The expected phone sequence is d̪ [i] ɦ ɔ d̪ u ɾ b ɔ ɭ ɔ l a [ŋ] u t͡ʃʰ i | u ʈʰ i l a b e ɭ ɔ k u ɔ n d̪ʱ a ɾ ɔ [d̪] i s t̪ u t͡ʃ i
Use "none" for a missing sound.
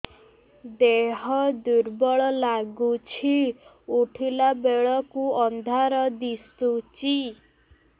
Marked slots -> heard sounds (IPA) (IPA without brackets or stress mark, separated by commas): e, ɡ, d̪